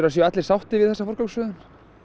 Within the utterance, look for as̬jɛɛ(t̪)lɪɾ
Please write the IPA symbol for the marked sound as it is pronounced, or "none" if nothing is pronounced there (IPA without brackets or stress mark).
t̪